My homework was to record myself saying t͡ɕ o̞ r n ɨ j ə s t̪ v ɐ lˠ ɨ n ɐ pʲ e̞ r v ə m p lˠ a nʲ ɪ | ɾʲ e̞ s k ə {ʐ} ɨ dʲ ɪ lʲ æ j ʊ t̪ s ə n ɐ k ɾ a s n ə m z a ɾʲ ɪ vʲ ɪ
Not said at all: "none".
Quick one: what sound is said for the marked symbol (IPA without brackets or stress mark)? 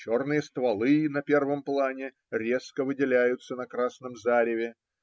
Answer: v